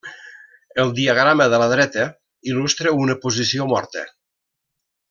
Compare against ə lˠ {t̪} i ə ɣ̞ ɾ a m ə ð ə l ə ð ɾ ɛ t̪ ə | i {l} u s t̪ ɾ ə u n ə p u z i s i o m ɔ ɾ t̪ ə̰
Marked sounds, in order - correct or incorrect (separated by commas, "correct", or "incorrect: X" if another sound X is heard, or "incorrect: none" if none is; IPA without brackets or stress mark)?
incorrect: d̪, correct